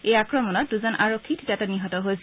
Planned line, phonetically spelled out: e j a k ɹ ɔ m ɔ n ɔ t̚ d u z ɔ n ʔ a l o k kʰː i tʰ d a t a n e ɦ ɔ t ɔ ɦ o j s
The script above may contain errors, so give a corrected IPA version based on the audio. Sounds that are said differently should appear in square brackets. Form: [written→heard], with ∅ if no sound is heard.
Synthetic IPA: e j a k ɹ ɔ m ɔ n ɔ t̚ d u z ɔ n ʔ a [l→ɹ] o k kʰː i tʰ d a t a n [e→i] ɦ ɔ t ɔ ɦ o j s